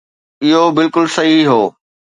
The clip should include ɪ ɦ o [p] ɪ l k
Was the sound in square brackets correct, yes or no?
no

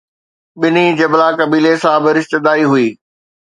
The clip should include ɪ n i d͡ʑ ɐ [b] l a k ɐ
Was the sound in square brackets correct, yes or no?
yes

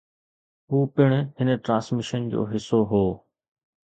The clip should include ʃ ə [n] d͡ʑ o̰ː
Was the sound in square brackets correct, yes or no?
yes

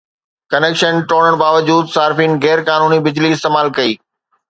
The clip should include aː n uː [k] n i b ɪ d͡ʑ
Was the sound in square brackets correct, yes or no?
no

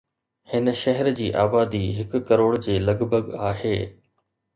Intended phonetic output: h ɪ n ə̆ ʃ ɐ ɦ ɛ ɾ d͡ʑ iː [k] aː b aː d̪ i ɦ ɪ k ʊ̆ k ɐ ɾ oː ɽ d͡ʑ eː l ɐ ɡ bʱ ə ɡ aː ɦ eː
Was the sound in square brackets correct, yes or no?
no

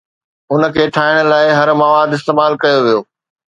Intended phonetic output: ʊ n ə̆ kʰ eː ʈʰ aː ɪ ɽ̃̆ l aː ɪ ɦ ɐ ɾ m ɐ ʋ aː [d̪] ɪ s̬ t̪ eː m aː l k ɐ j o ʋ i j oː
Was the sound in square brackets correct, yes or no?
yes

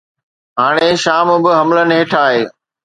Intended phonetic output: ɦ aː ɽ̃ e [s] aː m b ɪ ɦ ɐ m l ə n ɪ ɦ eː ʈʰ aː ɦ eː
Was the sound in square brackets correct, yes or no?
no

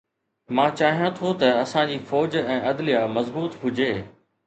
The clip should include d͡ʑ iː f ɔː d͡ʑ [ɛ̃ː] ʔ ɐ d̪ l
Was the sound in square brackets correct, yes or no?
yes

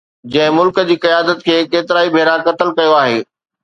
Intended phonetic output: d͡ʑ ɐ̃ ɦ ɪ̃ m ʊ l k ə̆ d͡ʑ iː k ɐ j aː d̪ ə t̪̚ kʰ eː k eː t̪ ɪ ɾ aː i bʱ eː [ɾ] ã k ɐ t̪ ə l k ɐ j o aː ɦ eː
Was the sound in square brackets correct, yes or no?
yes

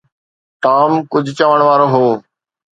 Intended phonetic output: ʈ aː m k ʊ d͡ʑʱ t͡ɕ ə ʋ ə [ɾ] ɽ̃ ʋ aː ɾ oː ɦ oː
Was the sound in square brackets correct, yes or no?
no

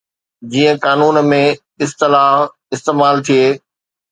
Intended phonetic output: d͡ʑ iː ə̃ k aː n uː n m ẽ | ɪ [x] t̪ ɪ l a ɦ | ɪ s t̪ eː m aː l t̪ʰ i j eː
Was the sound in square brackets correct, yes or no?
no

